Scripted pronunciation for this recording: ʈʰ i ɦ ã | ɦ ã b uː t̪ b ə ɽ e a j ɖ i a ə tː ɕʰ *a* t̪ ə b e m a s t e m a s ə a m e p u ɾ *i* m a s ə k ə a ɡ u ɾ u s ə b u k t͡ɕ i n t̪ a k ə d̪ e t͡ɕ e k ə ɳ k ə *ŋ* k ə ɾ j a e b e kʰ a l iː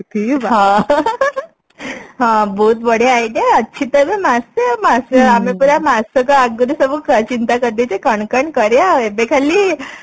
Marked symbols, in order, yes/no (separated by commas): no, no, no